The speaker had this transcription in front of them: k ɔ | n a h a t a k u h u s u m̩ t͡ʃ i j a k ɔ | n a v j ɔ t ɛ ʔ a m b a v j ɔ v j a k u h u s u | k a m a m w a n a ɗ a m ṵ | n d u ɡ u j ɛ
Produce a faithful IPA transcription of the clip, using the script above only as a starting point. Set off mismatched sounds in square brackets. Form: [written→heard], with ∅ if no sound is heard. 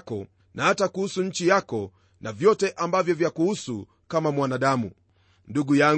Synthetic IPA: k ɔ | n a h a t a k u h u s u [m̩→ɲ̩] t͡ʃ i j a k ɔ | n a v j ɔ t ɛ ʔ a m b a v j ɔ v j a k u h u s u | k a m a m w a n a ɗ a m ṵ | n d u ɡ u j [ɛ→a]